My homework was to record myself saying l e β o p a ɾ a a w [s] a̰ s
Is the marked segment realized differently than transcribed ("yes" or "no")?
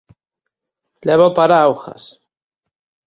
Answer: yes